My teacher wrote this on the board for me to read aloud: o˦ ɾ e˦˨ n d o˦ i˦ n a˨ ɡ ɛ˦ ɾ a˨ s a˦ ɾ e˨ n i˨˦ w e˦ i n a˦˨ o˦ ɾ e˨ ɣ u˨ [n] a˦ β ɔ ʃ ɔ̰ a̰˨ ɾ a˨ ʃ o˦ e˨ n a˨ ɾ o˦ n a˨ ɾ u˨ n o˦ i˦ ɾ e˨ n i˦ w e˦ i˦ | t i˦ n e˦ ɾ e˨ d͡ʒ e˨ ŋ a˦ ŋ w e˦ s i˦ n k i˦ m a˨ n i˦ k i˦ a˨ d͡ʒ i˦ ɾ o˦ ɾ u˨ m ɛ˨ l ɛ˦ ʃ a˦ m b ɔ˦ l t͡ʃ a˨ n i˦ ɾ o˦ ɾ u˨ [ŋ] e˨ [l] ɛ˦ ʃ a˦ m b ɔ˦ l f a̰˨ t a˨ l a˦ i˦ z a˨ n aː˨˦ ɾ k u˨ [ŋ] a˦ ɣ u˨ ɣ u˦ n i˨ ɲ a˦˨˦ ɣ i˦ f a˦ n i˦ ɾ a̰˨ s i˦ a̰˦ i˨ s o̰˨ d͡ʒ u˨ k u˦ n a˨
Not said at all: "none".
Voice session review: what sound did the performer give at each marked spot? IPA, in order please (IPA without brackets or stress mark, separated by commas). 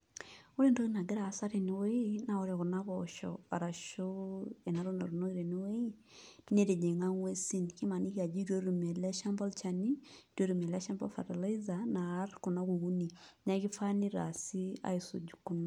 n, m, l, n